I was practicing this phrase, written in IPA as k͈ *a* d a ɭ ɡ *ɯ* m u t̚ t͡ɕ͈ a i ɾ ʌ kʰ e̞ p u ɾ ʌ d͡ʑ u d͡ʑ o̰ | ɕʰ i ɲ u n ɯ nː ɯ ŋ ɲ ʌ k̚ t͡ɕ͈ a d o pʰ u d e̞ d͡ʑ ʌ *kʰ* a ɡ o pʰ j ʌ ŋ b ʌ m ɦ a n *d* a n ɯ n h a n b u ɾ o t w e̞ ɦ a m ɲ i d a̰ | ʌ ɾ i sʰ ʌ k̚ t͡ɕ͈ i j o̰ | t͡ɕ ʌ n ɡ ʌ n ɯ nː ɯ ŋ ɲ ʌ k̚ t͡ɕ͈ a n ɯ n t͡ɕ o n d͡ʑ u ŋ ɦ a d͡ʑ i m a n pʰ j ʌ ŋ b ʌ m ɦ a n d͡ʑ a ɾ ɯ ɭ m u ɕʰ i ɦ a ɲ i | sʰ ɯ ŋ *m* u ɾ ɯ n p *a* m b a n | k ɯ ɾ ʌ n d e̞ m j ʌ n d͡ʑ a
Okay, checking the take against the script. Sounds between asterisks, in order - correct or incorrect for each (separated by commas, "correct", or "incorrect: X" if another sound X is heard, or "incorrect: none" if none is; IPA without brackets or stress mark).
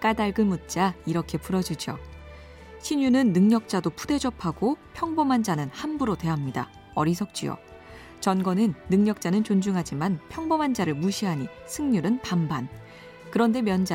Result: correct, correct, incorrect: pʰ, incorrect: d͡ʑ, incorrect: ɲ, correct